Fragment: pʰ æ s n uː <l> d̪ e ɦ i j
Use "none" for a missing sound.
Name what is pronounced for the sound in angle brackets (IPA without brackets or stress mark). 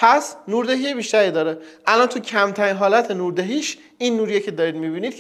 ɾ